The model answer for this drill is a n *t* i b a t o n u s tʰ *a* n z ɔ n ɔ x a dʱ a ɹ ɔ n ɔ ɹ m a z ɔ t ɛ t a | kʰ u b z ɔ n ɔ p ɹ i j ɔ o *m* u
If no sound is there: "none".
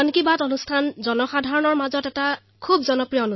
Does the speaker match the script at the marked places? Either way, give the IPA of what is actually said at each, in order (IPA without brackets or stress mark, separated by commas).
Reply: k, a, n